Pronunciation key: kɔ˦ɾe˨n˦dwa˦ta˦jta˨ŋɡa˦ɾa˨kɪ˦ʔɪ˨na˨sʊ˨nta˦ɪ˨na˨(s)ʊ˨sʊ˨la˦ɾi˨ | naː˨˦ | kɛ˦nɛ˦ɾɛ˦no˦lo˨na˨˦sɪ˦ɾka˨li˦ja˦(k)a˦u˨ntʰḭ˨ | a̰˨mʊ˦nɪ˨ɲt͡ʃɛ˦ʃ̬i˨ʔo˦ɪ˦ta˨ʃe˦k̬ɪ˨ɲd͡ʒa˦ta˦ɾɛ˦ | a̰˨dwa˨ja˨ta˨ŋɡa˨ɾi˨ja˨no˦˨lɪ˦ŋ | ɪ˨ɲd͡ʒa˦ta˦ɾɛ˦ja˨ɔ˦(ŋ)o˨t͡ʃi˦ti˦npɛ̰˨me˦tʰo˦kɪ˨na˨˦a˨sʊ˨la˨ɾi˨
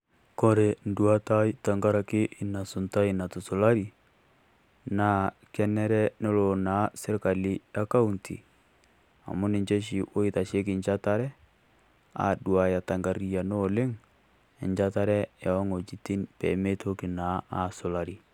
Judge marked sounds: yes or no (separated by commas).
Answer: no, yes, yes